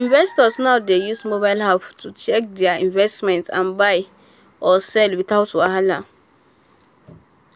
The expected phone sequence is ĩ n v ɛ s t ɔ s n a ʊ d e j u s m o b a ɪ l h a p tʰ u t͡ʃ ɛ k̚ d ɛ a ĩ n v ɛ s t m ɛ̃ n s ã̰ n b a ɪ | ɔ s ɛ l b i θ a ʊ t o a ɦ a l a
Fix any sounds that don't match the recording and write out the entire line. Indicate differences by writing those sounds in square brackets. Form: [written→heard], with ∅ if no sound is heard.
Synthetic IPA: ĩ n v ɛ s t ɔ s n a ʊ d e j u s m o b a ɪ l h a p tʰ u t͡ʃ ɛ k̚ d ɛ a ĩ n v ɛ s t m ɛ̃ n [s→t] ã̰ n b a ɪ | ɔ s ɛ l [b→w] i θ a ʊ t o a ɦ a l a